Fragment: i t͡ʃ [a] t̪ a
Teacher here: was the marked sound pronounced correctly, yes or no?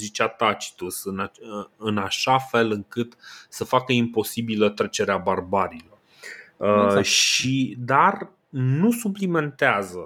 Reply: yes